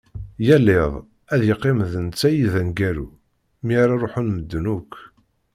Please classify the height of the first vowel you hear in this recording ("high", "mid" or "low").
low